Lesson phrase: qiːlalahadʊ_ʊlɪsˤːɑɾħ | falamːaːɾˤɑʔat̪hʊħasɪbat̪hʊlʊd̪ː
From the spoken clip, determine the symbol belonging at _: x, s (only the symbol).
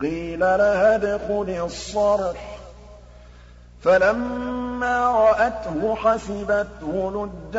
x